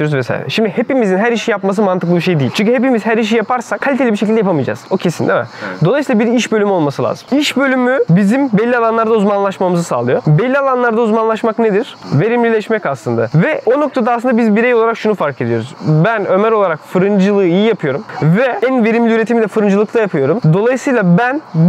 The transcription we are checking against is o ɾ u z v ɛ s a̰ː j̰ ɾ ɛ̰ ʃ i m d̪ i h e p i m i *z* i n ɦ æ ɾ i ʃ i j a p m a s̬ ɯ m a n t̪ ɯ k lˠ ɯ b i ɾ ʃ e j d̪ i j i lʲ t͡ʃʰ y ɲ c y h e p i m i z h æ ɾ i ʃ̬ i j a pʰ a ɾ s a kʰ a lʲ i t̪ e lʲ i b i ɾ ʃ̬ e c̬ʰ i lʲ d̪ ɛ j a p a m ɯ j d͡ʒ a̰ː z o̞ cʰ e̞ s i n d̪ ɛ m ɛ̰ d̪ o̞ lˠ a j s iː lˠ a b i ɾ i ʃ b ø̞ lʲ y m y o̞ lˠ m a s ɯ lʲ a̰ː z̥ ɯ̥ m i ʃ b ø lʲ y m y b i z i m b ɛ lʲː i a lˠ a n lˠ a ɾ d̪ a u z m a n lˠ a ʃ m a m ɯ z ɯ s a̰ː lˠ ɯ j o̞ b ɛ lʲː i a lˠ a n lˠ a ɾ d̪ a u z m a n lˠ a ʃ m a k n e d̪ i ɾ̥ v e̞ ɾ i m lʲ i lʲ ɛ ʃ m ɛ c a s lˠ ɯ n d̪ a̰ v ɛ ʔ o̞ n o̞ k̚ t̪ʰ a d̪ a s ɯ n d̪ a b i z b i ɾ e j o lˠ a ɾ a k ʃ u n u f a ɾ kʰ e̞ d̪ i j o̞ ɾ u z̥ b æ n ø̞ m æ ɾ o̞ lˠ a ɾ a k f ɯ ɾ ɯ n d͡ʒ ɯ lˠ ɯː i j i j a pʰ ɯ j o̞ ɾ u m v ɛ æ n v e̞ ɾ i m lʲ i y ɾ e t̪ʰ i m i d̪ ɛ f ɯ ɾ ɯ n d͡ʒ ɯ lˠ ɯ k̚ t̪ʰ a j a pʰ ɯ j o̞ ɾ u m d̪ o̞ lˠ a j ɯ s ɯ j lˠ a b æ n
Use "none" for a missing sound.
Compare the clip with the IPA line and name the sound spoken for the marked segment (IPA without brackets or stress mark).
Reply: z